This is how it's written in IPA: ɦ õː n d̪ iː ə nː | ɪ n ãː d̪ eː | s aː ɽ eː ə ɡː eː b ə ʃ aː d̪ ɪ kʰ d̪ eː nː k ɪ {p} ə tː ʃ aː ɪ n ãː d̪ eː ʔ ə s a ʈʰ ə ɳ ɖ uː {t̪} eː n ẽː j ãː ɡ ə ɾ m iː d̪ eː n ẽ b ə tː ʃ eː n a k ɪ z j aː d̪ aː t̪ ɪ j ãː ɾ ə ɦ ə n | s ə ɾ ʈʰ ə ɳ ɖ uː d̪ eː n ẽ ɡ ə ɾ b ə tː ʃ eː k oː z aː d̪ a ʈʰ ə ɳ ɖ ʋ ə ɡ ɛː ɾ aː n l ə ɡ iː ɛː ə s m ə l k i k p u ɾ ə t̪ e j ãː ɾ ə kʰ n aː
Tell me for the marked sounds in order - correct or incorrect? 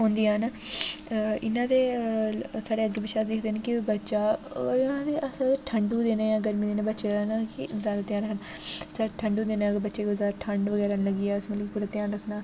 incorrect, incorrect

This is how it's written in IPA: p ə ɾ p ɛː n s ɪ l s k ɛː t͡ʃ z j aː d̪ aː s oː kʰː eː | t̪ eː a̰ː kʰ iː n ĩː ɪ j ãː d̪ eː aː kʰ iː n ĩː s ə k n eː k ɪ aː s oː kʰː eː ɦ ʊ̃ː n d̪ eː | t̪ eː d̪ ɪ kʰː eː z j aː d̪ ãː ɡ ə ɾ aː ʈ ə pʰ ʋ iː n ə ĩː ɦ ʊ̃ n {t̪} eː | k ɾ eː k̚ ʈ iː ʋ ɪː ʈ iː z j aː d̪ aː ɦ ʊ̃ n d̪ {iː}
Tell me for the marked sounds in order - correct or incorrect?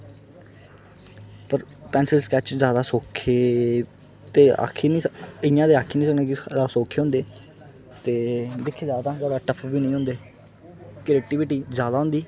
incorrect, correct

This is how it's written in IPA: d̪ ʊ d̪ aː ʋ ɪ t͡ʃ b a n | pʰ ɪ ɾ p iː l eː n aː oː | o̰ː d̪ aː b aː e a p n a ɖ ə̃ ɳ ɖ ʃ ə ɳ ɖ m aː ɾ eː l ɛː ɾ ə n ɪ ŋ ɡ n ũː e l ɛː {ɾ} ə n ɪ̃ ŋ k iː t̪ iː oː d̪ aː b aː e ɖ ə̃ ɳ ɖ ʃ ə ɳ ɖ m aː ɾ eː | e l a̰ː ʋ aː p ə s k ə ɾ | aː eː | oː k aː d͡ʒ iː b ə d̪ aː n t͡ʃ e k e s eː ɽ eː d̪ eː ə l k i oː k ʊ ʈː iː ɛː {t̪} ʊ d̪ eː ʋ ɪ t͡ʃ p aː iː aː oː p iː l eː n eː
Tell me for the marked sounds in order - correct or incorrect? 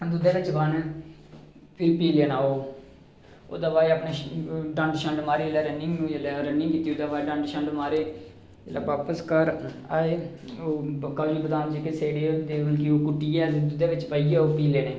correct, incorrect

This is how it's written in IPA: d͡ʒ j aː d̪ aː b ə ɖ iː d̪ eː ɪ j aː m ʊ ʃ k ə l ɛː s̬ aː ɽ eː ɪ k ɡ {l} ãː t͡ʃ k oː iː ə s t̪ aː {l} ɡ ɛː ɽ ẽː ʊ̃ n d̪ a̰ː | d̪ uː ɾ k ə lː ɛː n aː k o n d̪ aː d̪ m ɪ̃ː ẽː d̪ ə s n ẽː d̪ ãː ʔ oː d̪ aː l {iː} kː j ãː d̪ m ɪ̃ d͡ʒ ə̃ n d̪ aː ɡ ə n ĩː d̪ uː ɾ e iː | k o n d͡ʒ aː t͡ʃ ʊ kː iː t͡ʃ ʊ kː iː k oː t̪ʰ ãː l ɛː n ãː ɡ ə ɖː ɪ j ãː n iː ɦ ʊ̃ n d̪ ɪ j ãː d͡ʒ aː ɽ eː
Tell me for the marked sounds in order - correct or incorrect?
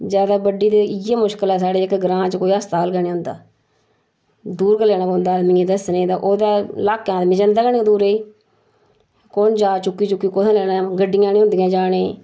incorrect, correct, incorrect

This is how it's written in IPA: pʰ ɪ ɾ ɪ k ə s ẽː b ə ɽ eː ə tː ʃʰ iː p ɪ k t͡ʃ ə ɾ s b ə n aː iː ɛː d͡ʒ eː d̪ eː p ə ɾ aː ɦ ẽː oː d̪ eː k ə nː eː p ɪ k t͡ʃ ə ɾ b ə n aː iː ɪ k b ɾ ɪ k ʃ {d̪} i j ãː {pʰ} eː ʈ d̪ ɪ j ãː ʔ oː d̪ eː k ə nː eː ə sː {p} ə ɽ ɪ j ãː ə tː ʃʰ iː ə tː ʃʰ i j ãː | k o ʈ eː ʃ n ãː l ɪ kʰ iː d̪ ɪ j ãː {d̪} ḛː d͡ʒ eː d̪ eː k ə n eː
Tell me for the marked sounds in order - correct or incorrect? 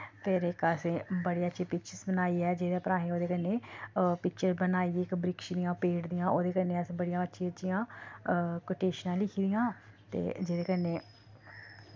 correct, incorrect, incorrect, incorrect

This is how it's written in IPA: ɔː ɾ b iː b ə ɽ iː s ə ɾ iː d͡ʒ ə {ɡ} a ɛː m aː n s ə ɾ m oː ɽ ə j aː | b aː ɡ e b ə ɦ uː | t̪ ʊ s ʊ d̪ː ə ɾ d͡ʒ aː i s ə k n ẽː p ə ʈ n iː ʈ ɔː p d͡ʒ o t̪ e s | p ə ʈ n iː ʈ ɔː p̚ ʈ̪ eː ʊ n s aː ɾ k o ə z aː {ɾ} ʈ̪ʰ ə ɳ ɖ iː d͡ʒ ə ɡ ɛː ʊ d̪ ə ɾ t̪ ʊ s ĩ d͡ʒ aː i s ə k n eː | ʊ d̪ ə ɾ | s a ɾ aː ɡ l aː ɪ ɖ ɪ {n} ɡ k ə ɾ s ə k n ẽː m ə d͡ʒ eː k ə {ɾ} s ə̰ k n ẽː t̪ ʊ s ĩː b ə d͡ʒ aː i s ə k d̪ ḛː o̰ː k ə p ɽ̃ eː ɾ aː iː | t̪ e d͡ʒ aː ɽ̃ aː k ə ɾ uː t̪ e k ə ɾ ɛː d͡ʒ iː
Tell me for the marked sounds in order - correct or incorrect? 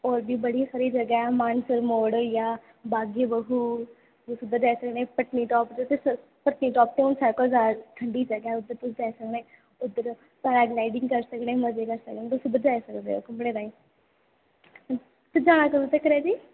correct, correct, incorrect, correct

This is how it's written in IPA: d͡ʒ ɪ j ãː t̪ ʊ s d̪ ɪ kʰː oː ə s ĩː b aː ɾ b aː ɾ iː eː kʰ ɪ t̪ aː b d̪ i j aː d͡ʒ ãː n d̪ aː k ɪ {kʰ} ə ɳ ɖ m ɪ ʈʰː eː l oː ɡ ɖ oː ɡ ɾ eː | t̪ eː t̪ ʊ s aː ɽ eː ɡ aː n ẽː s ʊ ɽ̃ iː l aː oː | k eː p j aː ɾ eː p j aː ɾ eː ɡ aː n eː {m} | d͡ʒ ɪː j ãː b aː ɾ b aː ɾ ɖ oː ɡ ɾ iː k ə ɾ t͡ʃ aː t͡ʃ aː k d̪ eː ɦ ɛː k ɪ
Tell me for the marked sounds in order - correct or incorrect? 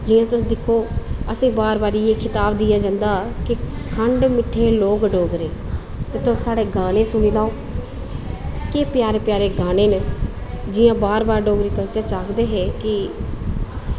correct, incorrect

